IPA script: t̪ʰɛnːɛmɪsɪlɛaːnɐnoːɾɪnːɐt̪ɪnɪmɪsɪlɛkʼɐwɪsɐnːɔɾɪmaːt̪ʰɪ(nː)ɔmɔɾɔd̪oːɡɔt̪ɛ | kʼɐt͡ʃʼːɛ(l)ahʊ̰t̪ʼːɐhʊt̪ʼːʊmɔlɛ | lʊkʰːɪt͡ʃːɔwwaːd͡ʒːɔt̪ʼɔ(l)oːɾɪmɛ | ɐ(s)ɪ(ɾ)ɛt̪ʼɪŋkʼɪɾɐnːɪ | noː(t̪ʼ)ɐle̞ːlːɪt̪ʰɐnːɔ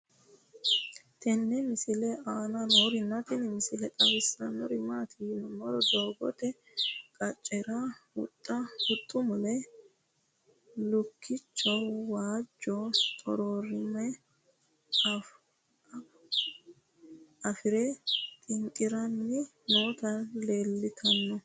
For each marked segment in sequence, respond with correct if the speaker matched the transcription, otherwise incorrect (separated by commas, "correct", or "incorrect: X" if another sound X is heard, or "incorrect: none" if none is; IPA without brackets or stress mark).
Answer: incorrect: n, incorrect: ɾ, incorrect: ɾ, incorrect: f, correct, incorrect: t̪